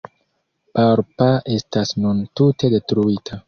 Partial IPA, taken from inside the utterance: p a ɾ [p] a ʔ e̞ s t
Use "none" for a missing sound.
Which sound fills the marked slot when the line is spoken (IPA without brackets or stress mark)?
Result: p